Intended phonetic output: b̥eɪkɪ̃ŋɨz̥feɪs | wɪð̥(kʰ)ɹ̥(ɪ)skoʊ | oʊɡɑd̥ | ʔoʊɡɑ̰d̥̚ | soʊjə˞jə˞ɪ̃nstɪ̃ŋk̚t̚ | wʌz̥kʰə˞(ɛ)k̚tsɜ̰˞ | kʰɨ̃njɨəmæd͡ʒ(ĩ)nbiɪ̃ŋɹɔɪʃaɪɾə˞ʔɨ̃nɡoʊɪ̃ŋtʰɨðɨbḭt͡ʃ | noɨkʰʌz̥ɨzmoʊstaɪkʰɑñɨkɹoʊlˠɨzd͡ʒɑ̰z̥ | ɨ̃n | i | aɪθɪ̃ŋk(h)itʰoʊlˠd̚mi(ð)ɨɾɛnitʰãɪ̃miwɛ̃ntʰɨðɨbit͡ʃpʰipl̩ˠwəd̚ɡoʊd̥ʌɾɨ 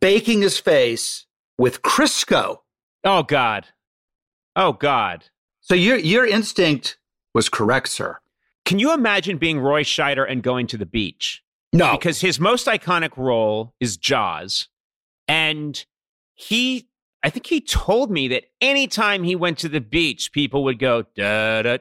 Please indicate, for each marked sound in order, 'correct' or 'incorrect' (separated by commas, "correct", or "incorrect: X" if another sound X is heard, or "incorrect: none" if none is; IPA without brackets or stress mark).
correct, correct, correct, incorrect: ɨ̃, correct, correct